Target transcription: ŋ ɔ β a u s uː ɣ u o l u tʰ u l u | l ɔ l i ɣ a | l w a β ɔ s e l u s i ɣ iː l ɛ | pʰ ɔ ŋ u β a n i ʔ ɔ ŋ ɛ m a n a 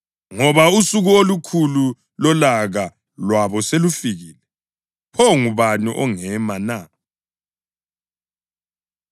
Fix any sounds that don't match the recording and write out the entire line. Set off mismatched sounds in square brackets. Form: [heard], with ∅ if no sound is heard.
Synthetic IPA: ŋ ɔ β a u s [u] ɣ u o l u [kʰ] u l u | l ɔ l [a] ɣ a | l w a β ɔ s e l u [f] i ɣ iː l ɛ | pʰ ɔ ŋ u β a n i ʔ ɔ ŋ ɛ m a n a